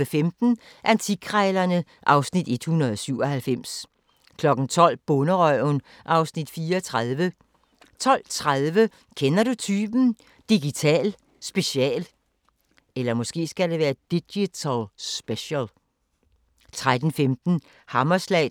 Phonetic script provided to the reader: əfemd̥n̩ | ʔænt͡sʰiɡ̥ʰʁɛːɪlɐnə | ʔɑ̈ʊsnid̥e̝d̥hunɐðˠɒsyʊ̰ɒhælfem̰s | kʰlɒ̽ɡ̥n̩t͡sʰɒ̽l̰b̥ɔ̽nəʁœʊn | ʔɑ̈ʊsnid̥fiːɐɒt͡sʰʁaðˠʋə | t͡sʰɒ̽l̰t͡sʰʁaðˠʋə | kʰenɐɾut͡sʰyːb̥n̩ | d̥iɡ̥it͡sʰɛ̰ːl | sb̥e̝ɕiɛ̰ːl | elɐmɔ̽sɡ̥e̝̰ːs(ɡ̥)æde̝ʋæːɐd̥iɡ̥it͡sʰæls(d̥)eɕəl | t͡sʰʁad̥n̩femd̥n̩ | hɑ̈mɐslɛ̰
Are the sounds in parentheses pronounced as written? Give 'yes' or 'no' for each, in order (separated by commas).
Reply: yes, no